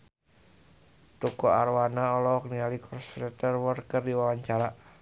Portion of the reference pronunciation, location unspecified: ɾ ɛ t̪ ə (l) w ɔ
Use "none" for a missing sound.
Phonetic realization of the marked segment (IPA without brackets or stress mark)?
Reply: r